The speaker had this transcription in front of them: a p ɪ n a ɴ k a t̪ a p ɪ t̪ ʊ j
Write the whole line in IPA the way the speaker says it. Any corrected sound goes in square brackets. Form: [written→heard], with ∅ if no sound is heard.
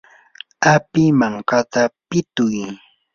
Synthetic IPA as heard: a p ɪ [n→m] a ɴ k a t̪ a p ɪ t̪ ʊ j